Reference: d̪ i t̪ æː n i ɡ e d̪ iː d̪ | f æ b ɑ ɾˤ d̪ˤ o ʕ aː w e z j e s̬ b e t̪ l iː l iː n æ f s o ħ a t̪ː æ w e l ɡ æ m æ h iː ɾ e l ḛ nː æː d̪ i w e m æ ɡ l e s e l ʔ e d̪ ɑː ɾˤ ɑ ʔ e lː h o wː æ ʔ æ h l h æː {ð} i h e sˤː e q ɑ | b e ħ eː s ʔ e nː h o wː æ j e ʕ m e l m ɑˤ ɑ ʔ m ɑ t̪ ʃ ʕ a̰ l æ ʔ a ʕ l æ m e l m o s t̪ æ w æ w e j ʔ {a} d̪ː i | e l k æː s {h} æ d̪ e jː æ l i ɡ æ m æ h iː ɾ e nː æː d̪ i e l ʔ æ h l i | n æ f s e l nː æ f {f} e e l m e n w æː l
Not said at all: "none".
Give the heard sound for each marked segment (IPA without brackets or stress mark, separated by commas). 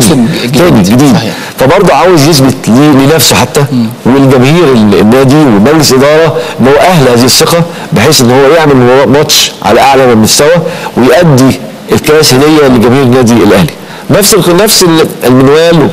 z, æ, h, s